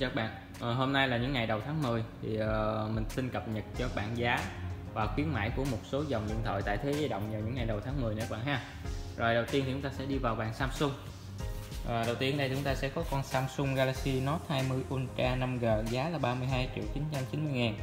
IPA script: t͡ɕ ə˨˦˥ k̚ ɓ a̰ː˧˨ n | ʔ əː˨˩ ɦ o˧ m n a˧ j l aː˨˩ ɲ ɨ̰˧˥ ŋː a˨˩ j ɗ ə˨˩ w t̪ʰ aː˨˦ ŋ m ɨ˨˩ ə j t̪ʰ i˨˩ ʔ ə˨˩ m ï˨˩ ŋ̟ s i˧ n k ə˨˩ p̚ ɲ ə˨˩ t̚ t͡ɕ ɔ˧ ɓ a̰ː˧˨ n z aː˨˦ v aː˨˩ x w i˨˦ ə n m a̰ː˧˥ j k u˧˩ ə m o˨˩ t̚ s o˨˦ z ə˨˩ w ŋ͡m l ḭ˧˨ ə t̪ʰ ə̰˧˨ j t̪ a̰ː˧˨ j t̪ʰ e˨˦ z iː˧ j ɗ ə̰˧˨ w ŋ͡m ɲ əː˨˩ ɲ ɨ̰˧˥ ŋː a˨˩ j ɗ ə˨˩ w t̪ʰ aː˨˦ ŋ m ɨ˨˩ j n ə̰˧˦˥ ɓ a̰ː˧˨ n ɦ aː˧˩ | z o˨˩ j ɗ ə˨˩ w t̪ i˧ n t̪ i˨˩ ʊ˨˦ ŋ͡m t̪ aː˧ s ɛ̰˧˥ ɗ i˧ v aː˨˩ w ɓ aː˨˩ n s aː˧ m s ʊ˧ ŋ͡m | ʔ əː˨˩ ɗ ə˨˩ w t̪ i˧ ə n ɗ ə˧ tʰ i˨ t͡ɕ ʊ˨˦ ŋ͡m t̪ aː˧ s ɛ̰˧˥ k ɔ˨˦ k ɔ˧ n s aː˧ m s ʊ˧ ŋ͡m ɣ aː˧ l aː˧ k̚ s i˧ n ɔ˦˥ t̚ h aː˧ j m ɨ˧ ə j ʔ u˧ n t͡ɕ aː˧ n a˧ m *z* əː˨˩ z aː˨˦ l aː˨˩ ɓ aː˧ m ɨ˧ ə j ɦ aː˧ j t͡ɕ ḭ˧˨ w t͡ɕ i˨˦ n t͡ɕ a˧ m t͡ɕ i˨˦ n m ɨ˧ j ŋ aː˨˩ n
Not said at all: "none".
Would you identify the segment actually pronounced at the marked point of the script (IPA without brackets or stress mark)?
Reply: ɣ